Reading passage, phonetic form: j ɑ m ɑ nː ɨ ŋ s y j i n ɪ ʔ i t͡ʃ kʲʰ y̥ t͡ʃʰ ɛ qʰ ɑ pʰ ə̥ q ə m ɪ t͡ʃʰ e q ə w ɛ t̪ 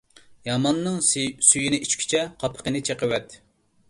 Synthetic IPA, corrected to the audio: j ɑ m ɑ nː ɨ ŋ s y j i n ɪ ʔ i t͡ʃ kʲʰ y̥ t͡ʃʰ ɛ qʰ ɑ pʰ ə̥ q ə n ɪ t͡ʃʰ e q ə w ɛ t̪